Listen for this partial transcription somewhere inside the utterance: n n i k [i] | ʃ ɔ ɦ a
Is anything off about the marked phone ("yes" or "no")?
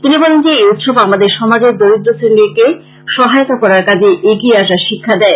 yes